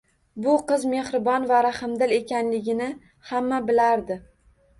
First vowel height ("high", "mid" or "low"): high